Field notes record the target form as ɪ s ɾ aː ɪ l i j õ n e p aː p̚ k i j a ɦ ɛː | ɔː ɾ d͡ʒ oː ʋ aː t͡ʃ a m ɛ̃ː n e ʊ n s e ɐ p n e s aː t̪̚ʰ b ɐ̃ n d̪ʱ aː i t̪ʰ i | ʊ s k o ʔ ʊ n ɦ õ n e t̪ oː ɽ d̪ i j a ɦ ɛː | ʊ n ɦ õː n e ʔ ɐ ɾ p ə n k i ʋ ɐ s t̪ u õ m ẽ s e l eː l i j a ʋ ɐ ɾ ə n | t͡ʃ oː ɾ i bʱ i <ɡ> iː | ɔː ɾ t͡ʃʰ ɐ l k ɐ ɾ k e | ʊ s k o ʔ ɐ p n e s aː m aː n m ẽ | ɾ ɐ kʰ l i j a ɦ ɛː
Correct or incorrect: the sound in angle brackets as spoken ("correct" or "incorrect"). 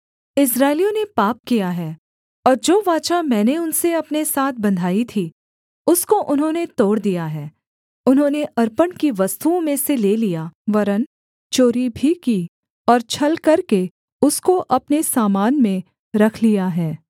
incorrect